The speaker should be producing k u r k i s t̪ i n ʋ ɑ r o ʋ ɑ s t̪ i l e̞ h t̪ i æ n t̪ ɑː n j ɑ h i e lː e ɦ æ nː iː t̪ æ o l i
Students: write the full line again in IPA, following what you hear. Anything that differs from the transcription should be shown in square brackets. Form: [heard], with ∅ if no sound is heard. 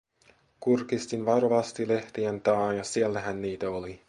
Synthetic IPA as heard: k u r k i s t̪ i n ʋ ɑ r o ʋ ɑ s t̪ i l e̞ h t̪ i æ n t̪ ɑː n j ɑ [s] i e lː [æ] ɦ æ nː iː t̪ æ o l i